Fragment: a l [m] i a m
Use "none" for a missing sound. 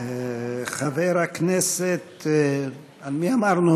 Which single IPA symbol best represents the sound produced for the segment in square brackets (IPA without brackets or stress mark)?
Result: m